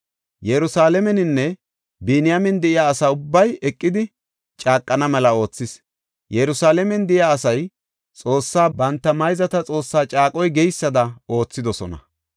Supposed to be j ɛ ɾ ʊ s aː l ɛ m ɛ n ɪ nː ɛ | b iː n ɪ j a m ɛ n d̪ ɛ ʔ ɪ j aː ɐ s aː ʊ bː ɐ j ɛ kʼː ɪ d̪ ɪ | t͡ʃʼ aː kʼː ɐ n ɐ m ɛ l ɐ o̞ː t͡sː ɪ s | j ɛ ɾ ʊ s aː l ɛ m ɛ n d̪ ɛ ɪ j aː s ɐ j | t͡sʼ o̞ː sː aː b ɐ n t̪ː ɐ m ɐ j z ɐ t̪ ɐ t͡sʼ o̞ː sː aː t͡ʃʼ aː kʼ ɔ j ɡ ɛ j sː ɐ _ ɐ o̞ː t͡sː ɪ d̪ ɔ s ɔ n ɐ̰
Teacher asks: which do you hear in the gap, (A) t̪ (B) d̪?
B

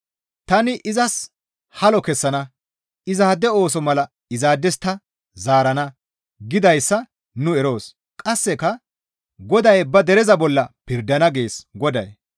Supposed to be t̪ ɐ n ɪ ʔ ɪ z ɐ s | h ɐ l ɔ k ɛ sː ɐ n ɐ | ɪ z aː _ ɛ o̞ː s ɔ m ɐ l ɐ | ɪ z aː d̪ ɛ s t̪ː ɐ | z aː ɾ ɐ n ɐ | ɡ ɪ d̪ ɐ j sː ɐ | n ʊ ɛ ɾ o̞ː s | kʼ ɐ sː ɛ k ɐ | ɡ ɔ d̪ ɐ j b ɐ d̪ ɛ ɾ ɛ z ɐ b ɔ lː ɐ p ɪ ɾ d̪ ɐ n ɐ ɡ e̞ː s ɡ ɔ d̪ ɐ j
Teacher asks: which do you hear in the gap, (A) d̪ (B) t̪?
A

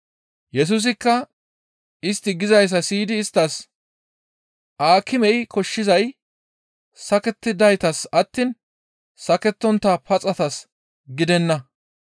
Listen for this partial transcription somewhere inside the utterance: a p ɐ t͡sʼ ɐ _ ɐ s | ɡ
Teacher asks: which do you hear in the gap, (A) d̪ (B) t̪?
B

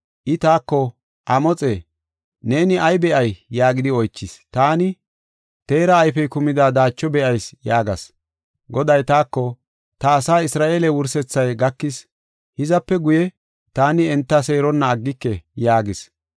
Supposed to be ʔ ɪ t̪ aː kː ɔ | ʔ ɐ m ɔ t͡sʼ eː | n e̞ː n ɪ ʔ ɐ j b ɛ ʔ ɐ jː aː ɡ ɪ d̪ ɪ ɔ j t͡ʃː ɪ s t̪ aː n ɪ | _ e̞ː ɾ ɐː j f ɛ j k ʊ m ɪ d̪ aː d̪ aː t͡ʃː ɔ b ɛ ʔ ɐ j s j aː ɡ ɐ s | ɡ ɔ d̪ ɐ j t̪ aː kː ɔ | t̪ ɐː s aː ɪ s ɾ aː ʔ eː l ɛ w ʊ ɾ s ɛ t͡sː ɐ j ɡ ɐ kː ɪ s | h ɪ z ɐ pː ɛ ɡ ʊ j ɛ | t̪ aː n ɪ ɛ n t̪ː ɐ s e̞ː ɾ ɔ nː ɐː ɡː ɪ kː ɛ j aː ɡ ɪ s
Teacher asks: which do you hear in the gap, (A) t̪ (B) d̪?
A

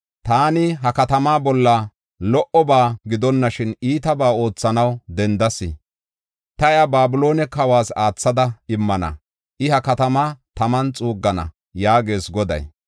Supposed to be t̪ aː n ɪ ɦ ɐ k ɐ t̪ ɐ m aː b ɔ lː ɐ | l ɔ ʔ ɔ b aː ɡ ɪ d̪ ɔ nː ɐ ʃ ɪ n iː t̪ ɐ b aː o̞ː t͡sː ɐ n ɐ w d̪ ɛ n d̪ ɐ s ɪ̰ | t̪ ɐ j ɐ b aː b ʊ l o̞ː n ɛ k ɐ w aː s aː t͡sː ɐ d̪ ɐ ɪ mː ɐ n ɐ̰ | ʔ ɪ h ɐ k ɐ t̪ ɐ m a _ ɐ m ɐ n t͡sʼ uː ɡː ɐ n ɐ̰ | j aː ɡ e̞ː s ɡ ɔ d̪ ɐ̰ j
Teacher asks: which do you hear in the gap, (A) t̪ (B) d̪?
A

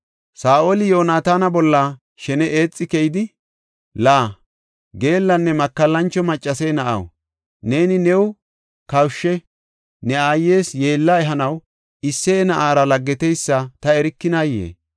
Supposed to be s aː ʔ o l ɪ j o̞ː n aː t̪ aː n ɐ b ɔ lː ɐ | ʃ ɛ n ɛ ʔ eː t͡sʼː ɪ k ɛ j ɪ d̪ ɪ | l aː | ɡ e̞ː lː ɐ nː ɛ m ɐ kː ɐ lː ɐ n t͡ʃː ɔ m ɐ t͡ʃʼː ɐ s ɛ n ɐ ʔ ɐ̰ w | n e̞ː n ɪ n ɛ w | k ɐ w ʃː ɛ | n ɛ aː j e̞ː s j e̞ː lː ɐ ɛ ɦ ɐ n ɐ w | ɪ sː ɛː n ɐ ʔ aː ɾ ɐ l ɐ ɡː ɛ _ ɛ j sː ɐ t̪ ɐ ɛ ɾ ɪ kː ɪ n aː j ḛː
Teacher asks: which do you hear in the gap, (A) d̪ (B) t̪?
B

